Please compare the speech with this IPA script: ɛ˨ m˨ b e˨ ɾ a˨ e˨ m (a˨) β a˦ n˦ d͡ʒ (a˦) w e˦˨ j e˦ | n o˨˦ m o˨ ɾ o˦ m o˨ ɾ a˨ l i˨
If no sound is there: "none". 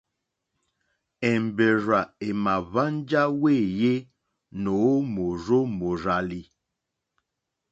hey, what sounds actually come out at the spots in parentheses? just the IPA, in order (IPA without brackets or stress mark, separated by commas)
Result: a˨, a˦